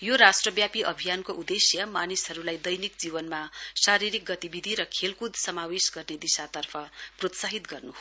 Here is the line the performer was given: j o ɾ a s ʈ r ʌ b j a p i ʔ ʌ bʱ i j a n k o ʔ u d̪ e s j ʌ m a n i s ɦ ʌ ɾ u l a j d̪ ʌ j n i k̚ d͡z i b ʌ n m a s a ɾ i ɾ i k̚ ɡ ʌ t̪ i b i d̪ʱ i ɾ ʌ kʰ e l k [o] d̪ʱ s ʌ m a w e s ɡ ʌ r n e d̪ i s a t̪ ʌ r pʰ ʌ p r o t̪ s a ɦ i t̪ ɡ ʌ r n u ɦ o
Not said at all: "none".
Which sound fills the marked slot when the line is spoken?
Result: u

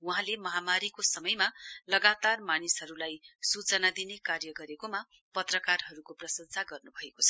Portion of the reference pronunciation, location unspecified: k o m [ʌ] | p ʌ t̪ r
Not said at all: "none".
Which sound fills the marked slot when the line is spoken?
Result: a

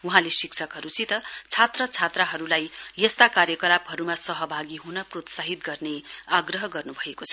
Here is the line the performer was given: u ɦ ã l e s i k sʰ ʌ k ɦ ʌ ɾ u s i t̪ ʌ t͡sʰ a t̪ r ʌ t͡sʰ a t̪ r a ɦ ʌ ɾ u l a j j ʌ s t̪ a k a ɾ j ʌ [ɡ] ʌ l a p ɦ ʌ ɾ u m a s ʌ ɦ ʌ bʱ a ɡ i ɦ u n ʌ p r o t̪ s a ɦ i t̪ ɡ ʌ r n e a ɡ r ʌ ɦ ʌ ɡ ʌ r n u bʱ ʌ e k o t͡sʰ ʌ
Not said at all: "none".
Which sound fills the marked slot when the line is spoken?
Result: k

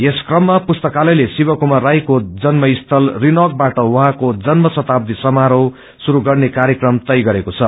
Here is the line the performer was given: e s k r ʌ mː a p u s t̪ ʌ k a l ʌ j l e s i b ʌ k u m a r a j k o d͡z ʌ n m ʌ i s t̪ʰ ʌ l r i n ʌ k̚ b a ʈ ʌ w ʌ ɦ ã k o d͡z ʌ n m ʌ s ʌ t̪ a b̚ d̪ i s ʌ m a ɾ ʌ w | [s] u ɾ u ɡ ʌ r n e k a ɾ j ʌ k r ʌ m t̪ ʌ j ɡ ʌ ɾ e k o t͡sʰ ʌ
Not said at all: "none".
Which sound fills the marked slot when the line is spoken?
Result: s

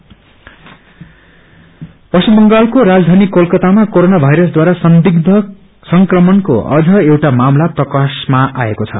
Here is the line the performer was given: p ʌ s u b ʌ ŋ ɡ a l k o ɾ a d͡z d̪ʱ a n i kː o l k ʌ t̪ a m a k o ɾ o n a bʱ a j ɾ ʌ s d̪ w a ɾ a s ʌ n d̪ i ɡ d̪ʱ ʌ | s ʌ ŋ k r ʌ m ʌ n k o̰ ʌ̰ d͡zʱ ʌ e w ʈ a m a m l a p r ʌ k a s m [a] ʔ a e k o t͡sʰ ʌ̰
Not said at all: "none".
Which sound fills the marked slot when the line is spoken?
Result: a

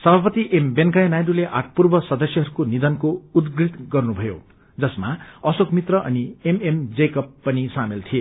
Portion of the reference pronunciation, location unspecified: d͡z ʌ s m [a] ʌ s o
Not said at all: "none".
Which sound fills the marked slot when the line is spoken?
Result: a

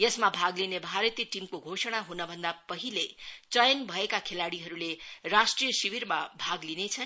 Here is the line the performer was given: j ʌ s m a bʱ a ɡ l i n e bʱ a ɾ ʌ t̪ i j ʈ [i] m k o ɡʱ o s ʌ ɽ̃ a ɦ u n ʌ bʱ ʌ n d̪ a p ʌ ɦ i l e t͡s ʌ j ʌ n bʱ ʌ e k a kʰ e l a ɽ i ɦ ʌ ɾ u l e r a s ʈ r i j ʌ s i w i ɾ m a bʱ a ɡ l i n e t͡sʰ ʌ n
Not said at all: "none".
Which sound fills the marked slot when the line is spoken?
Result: i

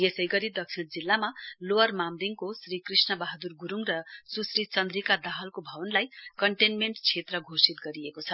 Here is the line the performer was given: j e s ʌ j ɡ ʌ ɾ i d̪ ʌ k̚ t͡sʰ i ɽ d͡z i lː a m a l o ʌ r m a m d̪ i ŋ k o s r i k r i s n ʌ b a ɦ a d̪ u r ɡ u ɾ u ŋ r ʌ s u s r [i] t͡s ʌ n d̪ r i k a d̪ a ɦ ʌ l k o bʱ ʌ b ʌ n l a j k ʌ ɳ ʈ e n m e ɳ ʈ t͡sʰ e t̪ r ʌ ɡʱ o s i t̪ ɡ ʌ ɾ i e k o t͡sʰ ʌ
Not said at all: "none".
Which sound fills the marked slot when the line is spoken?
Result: i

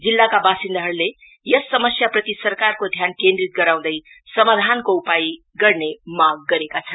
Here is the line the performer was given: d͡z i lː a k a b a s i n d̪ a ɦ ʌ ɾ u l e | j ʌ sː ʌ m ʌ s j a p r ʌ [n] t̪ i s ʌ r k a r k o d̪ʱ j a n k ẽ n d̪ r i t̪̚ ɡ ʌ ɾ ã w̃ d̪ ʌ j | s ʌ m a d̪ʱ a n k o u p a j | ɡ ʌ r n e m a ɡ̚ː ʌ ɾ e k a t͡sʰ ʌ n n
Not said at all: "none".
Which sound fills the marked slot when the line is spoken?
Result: none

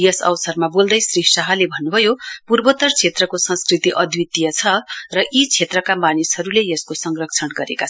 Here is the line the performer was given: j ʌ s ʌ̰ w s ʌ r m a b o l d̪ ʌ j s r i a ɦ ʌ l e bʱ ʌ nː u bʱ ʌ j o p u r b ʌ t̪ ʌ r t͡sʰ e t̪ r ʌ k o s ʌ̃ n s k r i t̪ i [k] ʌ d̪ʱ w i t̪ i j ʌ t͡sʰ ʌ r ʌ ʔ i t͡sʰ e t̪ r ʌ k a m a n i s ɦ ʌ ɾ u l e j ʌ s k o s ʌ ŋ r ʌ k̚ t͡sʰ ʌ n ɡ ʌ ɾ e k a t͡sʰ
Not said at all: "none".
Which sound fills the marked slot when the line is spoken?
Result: ʔ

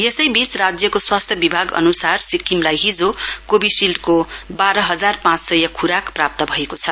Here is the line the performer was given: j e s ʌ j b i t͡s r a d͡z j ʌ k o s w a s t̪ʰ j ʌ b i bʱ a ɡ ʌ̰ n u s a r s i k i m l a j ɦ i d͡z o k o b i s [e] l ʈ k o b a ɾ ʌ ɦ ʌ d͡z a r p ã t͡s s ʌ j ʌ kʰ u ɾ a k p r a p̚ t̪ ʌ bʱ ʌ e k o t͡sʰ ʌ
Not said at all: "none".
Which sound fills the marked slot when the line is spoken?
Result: i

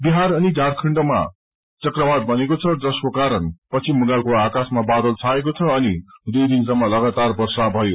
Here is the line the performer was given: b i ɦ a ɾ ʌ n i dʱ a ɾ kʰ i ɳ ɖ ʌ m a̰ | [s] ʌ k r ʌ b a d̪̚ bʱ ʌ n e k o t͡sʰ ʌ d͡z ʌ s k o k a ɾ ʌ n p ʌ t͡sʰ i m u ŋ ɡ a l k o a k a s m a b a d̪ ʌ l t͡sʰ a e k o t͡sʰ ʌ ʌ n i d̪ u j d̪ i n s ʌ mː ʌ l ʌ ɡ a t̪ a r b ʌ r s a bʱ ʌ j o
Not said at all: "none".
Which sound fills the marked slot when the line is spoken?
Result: t͡s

